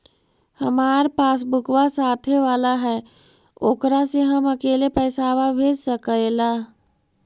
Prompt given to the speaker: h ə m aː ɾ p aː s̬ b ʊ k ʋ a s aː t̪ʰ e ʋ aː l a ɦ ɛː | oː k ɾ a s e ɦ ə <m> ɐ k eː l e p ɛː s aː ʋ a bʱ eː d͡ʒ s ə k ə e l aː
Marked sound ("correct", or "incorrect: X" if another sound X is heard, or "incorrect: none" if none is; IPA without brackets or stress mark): correct